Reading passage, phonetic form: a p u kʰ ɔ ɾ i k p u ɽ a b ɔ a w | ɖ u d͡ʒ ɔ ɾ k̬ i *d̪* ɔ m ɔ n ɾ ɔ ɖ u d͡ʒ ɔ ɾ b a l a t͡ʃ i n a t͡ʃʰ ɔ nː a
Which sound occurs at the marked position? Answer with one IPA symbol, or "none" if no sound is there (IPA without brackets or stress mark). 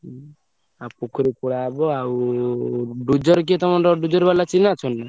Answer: t̪